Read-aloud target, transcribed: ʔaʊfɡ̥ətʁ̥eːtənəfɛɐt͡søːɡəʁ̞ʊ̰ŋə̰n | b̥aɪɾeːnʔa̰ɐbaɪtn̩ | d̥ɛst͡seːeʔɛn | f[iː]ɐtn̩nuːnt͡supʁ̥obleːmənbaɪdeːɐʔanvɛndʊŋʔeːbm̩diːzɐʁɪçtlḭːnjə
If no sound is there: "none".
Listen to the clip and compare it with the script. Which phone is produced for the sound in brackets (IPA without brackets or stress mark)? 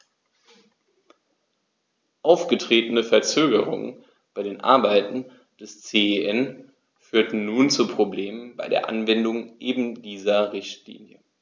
yː